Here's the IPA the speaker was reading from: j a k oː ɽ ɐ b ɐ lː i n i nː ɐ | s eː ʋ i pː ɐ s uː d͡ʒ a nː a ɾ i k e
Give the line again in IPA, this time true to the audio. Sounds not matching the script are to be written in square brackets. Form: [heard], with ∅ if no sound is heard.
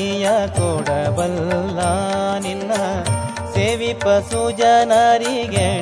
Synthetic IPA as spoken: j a k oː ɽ ɐ b ɐ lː [a] n i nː ɐ | s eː ʋ i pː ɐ s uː d͡ʒ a [n] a ɾ i [ɡ] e